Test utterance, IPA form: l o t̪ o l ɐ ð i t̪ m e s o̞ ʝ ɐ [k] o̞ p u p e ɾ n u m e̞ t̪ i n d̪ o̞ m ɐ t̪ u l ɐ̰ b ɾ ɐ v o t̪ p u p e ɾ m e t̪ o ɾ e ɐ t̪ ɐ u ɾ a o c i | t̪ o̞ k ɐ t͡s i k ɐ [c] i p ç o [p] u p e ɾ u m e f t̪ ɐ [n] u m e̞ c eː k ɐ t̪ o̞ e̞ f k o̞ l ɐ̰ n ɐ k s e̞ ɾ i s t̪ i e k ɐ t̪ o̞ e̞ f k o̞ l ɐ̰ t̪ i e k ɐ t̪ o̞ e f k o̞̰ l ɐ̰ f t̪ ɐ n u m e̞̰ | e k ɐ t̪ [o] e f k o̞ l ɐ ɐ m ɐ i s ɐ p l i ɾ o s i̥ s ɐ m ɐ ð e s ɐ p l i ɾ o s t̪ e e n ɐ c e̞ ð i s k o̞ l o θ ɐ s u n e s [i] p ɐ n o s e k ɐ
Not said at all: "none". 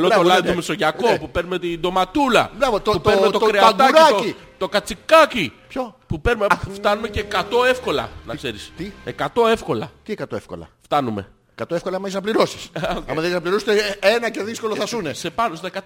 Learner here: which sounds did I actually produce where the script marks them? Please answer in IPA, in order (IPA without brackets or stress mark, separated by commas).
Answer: k, c, p, n, o, e